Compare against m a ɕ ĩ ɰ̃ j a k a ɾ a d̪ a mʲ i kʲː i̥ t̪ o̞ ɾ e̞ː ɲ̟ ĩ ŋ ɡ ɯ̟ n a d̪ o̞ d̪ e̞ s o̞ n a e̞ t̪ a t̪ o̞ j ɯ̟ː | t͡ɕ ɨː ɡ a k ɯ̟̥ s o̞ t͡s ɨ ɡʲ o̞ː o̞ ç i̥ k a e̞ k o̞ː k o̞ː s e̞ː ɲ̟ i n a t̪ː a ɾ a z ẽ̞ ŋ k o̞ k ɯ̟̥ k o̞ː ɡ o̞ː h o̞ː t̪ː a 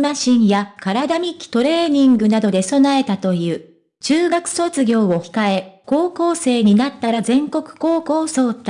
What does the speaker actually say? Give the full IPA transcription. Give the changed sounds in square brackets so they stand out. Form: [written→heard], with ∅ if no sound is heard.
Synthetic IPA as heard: m a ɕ ĩ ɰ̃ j a k a ɾ a d̪ a mʲ i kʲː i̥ t̪ o̞ ɾ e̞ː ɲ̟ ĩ ŋ ɡ ɯ̟ n a d̪ o̞ d̪ e̞ s o̞ n a e̞ t̪ a t̪ o̞ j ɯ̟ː | t͡ɕ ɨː ɡ a k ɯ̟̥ s o̞ t͡s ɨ ɡʲ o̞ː o̞ ç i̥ k a e̞ k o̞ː k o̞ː s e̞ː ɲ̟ i n a t̪ː a ɾ a z ẽ̞ ŋ k o̞ k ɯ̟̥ k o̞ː [ɡ→k] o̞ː [h→s] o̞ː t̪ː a

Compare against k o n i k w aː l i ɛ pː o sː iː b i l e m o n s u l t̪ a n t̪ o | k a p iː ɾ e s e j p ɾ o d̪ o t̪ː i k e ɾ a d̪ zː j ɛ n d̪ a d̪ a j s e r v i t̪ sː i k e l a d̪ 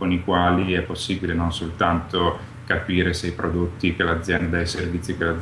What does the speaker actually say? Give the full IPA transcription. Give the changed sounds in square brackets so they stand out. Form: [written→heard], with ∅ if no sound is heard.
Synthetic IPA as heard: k o n i k w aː l i ɛ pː o sː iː b i l e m o n s [u→o] l t̪ a n t̪ o | k a p iː ɾ e s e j p ɾ o d̪ o t̪ː i k e [ɾ→l] a d̪ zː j ɛ n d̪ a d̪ a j s e r v i t̪ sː i k e l a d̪

